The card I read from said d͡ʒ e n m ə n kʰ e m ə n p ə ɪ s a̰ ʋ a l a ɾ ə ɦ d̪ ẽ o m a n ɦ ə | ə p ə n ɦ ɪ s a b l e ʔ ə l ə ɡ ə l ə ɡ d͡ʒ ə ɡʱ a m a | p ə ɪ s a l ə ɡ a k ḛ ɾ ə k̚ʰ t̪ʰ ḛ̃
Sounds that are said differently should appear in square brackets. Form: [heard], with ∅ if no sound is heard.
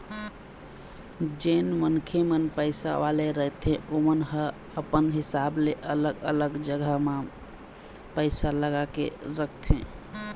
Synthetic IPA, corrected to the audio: d͡ʒ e n m ə n kʰ e m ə n p ə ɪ s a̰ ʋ a l [e] ɾ ə ɦ [t̪] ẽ o m [ə] n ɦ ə | ə p ə n ɦ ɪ s a b l e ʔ ə l ə ɡ ə l ə ɡ d͡ʒ ə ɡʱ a m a | p ə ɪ s a l ə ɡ a k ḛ ɾ ə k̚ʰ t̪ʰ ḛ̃